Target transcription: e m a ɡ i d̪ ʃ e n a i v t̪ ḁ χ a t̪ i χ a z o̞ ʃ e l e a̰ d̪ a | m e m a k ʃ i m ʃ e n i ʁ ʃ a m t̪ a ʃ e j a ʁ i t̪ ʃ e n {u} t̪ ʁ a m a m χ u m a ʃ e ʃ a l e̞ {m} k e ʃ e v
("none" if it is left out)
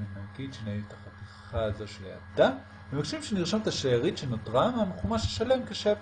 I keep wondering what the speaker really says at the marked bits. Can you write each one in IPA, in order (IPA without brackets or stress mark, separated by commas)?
o, m